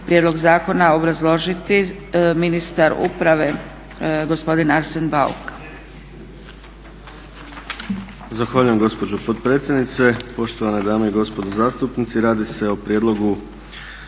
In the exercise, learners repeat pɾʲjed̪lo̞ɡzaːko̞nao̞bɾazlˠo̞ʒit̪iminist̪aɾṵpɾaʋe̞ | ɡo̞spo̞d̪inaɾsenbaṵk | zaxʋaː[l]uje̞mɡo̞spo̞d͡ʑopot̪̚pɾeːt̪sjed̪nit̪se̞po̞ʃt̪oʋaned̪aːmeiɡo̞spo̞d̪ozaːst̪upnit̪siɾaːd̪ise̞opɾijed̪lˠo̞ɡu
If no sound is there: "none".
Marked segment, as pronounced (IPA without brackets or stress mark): ʎ